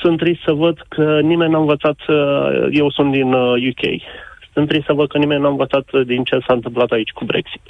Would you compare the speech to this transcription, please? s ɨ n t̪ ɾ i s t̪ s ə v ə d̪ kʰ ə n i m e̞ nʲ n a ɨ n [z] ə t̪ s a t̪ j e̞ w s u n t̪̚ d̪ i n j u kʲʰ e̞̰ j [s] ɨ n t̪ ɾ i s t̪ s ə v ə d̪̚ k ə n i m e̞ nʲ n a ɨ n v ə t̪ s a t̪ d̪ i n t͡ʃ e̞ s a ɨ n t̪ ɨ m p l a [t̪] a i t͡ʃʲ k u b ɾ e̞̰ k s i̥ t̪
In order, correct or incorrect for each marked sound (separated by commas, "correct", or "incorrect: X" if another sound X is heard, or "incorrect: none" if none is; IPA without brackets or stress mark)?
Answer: incorrect: v, correct, correct